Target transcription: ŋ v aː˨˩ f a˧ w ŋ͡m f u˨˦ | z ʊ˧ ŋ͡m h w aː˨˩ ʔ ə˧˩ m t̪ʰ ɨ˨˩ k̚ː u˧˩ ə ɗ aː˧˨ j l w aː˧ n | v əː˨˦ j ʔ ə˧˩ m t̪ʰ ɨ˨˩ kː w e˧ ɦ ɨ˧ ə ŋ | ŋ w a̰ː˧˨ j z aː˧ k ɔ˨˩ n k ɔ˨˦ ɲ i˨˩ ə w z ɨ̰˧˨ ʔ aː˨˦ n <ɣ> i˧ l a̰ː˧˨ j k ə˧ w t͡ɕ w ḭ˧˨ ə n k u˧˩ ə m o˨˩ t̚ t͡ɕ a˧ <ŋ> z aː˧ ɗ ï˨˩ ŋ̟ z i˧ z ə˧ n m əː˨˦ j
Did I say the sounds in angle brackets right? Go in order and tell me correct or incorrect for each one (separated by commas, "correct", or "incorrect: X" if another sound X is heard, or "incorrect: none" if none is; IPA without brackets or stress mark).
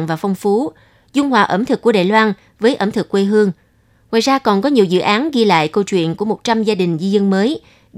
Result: correct, incorrect: m